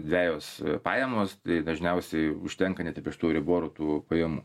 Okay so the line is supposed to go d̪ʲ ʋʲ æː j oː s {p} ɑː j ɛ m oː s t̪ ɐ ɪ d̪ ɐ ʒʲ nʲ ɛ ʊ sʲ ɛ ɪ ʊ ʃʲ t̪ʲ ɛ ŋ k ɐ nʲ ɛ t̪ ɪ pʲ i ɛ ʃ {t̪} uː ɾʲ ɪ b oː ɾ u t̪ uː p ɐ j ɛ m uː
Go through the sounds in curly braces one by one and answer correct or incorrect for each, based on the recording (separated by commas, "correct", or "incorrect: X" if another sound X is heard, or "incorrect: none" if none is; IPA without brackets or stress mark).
correct, correct